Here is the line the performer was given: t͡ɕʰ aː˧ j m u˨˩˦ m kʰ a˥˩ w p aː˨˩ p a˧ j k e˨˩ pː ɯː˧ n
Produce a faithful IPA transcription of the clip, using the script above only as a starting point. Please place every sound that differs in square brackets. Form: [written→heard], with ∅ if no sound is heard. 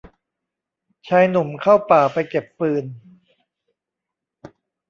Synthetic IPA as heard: t͡ɕʰ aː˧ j [m→n] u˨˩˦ m kʰ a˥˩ w p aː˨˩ p a˧ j k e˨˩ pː ɯː˧ n